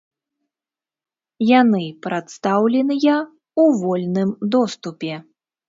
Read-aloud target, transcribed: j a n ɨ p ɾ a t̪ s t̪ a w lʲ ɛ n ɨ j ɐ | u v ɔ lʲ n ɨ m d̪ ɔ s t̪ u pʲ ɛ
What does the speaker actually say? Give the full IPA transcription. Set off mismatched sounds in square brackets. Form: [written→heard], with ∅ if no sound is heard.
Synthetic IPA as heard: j a n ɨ p ɾ a t̪ s t̪ a w lʲ ɛ n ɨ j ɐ | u v ɔ lʲ n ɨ m d̪ ɔ s t̪ u pʲ ɛ